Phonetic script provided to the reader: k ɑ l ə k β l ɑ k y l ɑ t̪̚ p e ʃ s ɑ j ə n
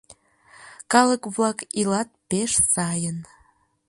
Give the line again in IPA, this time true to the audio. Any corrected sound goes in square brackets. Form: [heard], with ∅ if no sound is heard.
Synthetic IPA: k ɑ l ə k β l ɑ k [i] l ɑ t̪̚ p e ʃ s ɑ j ə n